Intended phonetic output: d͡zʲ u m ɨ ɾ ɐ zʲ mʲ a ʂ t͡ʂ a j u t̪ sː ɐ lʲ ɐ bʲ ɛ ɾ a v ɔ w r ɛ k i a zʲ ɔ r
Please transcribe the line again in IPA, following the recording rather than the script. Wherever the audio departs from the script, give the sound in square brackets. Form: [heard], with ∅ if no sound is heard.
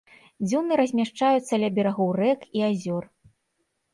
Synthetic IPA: d͡zʲ u [n] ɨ ɾ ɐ zʲ mʲ a ʂ t͡ʂ a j u t̪ sː ɐ lʲ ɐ bʲ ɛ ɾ a [ɣ] ɔ w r ɛ k i a zʲ ɔ r